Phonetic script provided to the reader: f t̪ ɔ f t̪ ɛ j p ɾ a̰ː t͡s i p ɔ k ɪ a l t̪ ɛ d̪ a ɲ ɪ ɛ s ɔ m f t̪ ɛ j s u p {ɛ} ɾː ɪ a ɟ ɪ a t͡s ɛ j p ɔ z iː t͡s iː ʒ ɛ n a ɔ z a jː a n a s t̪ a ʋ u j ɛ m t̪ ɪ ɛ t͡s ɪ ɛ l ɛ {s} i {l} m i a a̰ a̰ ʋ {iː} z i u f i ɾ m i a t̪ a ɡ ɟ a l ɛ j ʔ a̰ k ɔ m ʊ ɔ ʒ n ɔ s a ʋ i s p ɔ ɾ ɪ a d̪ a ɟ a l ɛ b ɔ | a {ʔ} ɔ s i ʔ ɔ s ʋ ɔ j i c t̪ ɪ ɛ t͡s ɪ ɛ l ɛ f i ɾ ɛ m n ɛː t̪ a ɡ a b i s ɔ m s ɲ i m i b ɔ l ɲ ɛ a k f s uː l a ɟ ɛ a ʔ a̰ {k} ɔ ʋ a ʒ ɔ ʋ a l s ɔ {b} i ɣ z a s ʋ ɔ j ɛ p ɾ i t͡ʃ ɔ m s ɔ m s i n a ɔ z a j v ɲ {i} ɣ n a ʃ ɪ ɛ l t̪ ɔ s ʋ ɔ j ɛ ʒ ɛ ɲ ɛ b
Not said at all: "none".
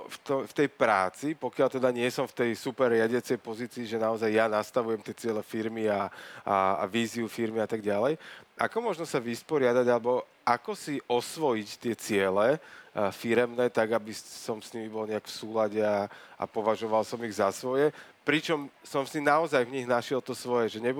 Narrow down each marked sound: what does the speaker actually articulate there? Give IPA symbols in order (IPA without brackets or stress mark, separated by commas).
ɛ, f, ɾ, iː, k, p, m, i